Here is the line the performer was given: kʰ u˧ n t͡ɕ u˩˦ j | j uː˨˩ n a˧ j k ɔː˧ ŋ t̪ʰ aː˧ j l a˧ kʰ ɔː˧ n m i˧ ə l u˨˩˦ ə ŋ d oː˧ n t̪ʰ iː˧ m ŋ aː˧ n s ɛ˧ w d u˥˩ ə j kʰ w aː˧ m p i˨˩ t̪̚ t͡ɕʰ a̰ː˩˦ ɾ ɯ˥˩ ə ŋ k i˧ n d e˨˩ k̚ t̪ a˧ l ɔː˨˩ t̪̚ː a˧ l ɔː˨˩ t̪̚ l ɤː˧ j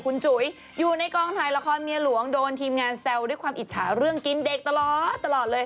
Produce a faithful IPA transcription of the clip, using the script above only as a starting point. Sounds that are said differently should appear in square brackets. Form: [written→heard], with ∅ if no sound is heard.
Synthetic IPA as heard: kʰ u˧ n t͡ɕ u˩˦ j | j uː˨˩ n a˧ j k ɔː˧ ŋ t̪ʰ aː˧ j l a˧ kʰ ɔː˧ n m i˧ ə l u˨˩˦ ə ŋ d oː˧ n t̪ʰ iː˧ m ŋ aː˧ n s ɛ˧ w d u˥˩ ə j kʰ w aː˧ m [p→ʔ] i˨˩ t̪̚ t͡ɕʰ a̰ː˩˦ ɾ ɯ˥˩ ə ŋ k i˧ n d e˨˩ k̚ t̪ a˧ l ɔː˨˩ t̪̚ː a˧ l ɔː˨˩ t̪̚ l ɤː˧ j